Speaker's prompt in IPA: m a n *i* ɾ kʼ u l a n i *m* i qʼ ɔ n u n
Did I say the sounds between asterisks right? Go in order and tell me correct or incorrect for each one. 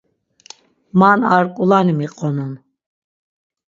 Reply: incorrect: a, correct

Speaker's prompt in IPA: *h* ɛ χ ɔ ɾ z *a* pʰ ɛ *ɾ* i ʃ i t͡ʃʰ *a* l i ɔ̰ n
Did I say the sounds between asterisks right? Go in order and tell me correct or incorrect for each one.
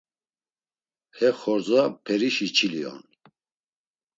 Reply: correct, correct, correct, incorrect: i

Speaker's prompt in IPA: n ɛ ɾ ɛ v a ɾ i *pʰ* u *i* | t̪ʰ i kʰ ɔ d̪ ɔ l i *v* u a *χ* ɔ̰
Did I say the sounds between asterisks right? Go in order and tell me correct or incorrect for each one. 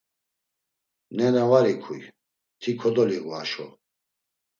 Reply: incorrect: kʰ, incorrect: j, incorrect: ɣ, incorrect: ʃ

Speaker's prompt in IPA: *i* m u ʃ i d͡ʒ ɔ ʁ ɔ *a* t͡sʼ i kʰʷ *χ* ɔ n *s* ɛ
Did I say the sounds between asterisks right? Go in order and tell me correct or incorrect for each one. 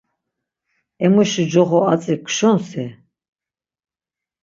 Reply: incorrect: ɛ, correct, incorrect: ʃ, correct

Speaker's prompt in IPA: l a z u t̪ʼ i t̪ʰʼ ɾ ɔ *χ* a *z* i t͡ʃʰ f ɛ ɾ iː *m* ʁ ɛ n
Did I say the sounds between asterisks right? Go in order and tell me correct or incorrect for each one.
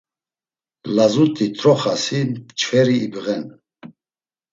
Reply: correct, incorrect: s, incorrect: b

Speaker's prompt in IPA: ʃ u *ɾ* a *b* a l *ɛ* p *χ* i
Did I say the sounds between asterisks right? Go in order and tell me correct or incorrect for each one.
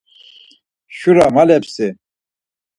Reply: correct, incorrect: m, correct, incorrect: s

